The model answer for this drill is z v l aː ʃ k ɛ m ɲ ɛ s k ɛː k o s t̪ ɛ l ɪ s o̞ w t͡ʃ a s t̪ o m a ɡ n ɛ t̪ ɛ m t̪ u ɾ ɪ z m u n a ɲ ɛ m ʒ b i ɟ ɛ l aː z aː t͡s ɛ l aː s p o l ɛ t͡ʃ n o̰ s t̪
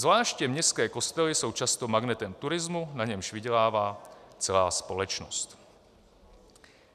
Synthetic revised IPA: z v l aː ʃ c ɛ m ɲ ɛ s k ɛː k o s t̪ ɛ l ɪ s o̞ w t͡ʃ a s t̪ o m a ɡ n ɛ t̪ ɛ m t̪ u ɾ ɪ z m u n a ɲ ɛ m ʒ v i ɟ ɛ l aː v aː t͡s ɛ l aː s p o l ɛ t͡ʃ n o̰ s t̪